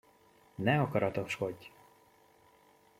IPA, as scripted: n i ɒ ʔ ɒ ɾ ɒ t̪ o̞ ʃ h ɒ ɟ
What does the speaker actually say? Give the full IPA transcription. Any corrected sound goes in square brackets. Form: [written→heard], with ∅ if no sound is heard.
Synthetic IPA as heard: n [i→ɛ] ɒ [ʔ→k] ɒ ɾ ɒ t̪ o̞ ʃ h [ɒ→o] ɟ